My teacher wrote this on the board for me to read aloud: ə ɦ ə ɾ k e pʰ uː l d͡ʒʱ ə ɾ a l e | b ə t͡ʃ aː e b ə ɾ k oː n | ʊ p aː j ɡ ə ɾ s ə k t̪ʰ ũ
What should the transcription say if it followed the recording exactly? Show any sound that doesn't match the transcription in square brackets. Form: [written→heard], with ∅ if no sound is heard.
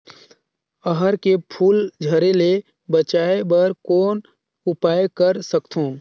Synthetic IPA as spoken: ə ɦ ə ɾ k e pʰ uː l d͡ʒʱ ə ɾ [a→e] l e | b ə t͡ʃ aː e b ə ɾ k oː n | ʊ p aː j [ɡ→k] ə ɾ s ə k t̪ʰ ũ